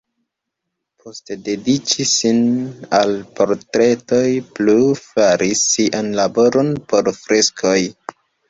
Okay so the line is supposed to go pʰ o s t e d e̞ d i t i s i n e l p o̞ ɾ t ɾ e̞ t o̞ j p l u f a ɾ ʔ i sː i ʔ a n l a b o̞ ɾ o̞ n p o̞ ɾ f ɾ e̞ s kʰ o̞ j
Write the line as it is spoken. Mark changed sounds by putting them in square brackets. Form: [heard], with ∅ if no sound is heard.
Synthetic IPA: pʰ o s t e d e̞ d i [t͡ʃ] i s i n [a] l p o̞ ɾ t ɾ e̞ t o̞ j p l u f a ɾ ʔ i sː i ʔ a n l a b o̞ ɾ o̞ n p o̞ ɾ f ɾ e̞ s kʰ o̞ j